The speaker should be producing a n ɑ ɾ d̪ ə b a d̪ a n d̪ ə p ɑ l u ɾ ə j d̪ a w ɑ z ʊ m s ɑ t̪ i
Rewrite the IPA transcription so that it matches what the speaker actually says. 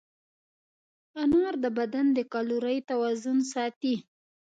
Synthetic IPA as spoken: a n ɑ ɾ d̪ ə b a d̪ a n d̪ ə k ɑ l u ɾ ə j t̪ a w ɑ z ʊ n s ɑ t̪ i